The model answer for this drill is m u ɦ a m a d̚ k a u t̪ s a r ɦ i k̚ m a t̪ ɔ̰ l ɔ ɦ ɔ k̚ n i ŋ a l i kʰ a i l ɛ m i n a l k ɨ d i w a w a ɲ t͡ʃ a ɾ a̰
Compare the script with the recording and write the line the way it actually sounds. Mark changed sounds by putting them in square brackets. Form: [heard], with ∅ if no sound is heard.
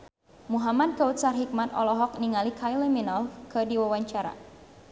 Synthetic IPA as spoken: m u ɦ a m a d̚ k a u t̪ s a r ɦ i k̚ m a t̪ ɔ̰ l ɔ ɦ ɔ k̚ n i ŋ a l i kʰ a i l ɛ m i n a l k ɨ d i w a w a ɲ t͡ʃ a ɾ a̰